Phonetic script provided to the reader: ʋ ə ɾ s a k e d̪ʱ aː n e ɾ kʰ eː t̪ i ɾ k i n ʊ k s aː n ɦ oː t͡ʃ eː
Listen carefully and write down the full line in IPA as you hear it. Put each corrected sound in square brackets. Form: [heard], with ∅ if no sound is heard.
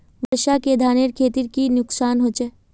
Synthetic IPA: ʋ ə ɾ [ʃ] a k e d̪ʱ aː n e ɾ kʰ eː t̪ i ɾ k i n ʊ k s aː n ɦ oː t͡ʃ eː